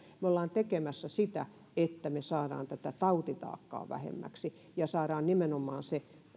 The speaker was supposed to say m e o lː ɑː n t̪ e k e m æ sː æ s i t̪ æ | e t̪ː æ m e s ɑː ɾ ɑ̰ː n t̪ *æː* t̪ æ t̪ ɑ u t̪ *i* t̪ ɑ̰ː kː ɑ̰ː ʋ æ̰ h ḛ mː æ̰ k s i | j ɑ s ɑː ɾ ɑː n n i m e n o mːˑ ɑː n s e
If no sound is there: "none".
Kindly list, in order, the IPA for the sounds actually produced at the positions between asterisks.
æ, i

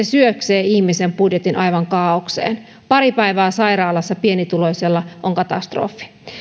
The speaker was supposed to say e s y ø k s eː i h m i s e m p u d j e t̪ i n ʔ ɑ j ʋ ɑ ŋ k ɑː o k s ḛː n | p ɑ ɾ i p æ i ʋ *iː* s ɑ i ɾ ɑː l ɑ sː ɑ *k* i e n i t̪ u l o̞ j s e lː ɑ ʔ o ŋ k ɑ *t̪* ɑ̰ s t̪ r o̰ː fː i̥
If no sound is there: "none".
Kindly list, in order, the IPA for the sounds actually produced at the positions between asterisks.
æː, p, t̪

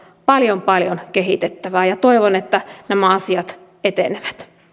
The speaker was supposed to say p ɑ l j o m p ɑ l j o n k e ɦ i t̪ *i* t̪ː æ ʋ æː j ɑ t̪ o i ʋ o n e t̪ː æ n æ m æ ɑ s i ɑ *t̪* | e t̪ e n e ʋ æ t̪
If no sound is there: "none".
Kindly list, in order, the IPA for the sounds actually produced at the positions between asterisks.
e, t̪

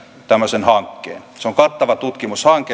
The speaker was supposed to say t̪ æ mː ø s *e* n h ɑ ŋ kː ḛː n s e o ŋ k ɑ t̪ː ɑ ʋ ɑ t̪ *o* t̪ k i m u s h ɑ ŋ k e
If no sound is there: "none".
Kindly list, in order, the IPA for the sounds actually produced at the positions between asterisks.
e, u

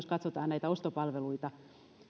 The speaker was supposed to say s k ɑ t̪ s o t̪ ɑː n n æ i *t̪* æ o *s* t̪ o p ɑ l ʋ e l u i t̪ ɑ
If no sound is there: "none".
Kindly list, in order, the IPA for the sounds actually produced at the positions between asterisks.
t̪, s

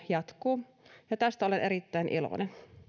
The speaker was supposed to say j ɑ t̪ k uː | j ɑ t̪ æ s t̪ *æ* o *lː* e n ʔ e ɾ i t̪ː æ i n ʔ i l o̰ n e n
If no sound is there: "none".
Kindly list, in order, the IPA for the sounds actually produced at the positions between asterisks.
æ, l

